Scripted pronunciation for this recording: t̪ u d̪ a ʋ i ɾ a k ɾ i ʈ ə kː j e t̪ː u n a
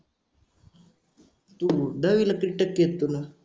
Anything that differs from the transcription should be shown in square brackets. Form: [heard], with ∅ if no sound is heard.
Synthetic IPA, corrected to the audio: t̪ u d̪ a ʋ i [l] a k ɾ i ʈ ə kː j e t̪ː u n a